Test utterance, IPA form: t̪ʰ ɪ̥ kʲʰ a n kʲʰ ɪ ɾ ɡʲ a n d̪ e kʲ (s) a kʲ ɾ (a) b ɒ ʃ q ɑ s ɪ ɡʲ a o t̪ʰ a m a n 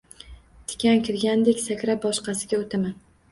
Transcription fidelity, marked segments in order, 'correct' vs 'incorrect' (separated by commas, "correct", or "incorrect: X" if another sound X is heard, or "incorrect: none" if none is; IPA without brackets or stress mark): correct, correct